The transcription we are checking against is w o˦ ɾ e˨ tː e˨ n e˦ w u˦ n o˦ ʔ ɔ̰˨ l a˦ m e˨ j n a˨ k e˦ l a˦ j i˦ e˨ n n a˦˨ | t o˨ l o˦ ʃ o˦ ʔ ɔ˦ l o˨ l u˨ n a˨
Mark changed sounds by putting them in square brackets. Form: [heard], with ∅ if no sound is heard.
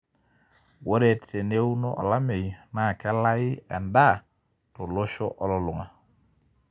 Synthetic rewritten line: w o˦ ɾ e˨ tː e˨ n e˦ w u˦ n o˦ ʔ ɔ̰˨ l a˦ m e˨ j n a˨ k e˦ l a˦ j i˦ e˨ n [d] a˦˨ | t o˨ l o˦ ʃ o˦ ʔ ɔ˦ l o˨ l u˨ [ŋ] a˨